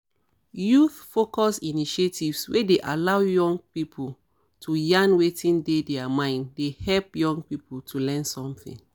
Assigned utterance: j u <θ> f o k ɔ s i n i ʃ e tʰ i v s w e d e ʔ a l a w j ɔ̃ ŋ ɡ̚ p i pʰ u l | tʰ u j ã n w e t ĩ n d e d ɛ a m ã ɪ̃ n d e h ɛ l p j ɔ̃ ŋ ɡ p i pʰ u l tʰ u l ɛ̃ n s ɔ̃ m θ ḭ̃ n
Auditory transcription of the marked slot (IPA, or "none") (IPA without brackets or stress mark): θ